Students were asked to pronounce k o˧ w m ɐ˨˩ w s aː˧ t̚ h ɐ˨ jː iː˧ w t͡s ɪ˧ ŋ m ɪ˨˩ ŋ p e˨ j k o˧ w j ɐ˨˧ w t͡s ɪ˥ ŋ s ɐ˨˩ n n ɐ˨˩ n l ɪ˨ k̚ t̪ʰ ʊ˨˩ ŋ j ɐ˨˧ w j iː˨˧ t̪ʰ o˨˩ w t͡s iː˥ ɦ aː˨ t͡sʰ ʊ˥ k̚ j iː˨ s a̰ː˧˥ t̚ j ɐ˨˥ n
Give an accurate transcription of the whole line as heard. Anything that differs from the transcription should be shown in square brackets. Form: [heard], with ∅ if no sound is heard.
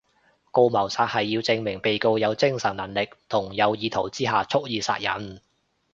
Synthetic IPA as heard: k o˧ w m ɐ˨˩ w s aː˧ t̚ h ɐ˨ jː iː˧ w t͡s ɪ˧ ŋ m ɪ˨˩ ŋ p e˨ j k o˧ w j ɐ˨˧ w t͡s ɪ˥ ŋ s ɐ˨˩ n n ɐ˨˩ n l ɪ˨ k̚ t̪ʰ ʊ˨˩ ŋ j ɐ˨˧ w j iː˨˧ t̪ʰ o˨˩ w t͡s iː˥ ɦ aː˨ t͡sʰ ʊ˥ k̚ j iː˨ s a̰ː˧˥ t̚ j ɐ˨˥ n

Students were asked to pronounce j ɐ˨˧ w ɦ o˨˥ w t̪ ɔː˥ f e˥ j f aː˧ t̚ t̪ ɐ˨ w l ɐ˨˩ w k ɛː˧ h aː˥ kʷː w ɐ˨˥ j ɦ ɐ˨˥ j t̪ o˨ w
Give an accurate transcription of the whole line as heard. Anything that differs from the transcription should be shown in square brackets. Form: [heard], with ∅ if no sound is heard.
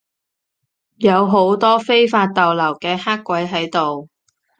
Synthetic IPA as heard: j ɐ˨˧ w ɦ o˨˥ w t̪ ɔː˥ f e˥ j f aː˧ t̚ t̪ ɐ˨ w l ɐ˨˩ w k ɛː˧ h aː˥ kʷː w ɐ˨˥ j ɦ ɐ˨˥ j t̪ o˨ w

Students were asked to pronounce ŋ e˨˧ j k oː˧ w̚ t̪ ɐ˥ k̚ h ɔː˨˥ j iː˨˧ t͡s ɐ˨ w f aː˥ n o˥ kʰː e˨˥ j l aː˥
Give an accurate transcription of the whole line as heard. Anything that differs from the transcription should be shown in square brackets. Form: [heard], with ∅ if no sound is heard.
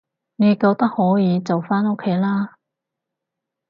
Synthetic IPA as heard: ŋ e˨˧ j k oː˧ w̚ t̪ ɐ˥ k̚ h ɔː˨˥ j iː˨˧ t͡s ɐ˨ w f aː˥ n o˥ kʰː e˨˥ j l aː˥

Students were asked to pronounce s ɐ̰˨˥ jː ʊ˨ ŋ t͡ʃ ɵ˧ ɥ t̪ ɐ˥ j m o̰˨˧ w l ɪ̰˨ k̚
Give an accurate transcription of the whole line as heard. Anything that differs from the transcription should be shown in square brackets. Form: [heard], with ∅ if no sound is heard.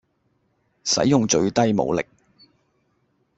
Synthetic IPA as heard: s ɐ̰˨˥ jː ʊ˨ ŋ t͡ʃ ɵ˧ ɥ t̪ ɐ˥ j m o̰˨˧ w l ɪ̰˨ k̚

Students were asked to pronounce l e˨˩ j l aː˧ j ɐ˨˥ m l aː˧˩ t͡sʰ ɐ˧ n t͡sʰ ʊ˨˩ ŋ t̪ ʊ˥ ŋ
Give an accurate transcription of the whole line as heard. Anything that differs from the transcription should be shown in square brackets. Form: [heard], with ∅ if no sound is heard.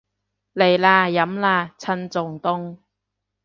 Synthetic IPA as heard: l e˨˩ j l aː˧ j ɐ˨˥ m l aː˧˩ t͡sʰ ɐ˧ n [t͡s] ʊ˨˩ ŋ t̪ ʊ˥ ŋ

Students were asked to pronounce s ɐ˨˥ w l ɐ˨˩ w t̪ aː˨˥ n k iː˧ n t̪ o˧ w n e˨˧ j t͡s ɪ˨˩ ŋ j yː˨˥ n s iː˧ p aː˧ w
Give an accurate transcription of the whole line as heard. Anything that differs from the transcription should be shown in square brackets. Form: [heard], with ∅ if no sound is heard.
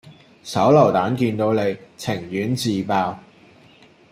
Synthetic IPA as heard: s ɐ˨˥ w l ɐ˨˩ w t̪ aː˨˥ n k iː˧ n t̪ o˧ w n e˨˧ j [t͡sʰ] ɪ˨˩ ŋ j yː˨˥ n [t͡s] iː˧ p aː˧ w

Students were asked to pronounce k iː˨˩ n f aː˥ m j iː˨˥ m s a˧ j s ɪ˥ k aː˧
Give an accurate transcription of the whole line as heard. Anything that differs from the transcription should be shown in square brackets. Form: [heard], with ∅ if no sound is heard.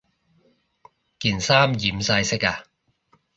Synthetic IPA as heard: k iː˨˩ n [s] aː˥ m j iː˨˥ m s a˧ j s ɪ˥ k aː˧

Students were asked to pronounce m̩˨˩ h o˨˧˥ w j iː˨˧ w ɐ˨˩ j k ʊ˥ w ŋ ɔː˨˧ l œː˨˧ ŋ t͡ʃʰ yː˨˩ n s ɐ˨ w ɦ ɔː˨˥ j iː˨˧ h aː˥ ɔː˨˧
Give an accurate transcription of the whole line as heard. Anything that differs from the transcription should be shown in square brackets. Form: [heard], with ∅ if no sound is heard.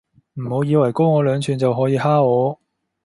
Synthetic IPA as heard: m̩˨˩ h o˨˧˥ w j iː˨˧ w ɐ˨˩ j k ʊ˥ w ŋ ɔː˨˧ l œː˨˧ ŋ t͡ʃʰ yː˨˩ n [t͡s] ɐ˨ w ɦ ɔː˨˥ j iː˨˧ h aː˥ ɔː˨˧

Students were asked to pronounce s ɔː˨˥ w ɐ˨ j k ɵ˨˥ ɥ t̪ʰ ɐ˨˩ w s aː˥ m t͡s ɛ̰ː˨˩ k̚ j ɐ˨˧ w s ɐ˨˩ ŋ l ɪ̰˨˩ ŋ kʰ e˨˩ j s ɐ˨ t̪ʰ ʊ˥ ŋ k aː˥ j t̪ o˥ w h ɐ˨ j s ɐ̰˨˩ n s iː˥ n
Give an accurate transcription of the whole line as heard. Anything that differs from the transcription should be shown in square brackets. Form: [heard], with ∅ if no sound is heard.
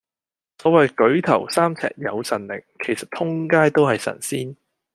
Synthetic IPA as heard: s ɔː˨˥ w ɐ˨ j k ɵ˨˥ ɥ t̪ʰ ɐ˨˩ w s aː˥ m [t͡sʰ] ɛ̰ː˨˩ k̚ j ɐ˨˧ w s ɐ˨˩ [n] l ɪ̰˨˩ ŋ kʰ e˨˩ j s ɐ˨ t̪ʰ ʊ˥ ŋ k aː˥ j t̪ o˥ w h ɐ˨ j s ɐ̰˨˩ n s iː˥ n

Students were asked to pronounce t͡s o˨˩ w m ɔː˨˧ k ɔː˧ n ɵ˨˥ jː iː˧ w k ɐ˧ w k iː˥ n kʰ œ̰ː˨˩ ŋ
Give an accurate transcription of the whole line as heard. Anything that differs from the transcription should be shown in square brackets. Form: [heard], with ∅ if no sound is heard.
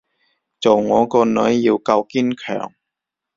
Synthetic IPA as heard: t͡s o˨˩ w [ŋ] ɔː˨˧ k ɔː˧ n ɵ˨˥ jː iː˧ w k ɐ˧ w k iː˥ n kʰ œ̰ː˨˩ ŋ

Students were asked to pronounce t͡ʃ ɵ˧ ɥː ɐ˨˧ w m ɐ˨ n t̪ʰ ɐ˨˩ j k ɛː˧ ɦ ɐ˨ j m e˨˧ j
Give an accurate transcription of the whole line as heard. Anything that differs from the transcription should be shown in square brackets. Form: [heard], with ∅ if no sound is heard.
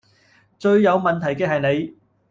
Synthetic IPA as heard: t͡ʃ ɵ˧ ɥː ɐ˨˧ w m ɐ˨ n t̪ʰ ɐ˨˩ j k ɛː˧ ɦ ɐ˨ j [n] e˨˧ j

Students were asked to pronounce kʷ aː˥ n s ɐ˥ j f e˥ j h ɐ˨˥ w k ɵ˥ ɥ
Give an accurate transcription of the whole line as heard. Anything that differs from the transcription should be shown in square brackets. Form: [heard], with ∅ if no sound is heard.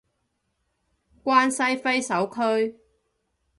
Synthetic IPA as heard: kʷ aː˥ n s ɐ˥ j f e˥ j [s] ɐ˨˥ w [kʰ] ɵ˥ ɥ

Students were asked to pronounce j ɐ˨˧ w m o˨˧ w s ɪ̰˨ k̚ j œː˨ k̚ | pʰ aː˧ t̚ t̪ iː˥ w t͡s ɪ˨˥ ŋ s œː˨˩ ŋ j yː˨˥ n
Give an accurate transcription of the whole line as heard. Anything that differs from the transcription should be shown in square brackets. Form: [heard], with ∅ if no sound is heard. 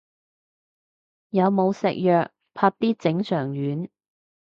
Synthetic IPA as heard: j ɐ˨˧ w m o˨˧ w s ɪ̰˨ k̚ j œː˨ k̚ | pʰ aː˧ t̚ t̪ iː˥ [∅] t͡s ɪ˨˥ ŋ s œː˨˩ ŋ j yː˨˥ n

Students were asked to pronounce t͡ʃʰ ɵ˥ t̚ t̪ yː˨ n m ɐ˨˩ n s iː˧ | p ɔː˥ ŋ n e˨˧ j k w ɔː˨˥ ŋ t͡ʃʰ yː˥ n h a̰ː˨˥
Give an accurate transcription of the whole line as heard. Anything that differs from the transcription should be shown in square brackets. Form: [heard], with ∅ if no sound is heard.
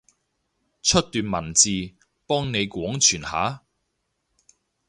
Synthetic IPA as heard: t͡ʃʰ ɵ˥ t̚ t̪ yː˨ n m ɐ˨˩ n [t͡s] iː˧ | p ɔː˥ ŋ n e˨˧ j k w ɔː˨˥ ŋ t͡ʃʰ [yː˨˩] n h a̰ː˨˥

